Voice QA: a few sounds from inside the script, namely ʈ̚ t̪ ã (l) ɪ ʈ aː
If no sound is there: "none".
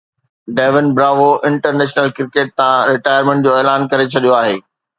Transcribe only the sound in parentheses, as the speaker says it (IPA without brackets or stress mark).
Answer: ɾ